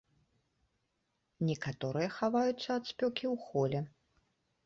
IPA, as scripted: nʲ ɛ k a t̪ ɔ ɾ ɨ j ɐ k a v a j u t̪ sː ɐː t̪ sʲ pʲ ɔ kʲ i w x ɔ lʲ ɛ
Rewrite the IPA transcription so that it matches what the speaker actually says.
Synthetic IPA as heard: nʲ ɛ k a t̪ ɔ ɾ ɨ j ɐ x a v a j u t̪ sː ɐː t̪ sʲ pʲ ɔ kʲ i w x ɔ lʲ ɛ